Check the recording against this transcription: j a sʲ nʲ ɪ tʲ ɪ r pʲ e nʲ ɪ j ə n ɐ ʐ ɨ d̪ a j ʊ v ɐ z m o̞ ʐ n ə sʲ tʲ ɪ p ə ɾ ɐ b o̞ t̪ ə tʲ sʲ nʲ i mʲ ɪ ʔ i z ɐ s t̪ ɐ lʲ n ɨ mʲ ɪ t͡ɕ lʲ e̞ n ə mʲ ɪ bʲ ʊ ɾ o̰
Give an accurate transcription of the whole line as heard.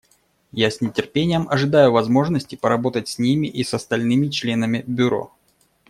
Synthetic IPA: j a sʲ nʲ ɪ tʲ ɪ r pʲ e nʲ ɪ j ə m ɐ ʐ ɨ d̪ a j ʊ v ɐ z m o̞ ʐ n ə sʲ tʲ ɪ p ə ɾ ɐ b o̞ t̪ ə tʲ sʲ nʲ i mʲ ɪ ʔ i s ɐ s t̪ ɐ lʲ n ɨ mʲ ɪ t͡ɕ lʲ e̞ n ə mʲ ɪ bʲ ʊ ɾ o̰